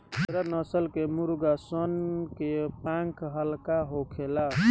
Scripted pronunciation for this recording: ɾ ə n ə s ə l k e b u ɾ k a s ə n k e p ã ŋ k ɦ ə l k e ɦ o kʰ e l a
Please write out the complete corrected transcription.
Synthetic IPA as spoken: ɾ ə n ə s ə l k e m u ɾ ɡ a s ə n k e p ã ŋ k ɦ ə l k a ɦ o kʰ e l a